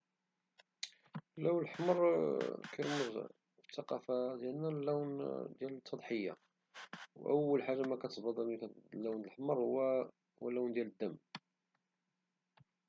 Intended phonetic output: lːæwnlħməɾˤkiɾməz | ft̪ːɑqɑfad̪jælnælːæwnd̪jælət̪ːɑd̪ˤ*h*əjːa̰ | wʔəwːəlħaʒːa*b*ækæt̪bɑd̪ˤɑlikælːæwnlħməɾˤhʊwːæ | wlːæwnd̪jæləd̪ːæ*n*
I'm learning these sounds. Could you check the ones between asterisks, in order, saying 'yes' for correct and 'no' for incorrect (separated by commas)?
no, no, no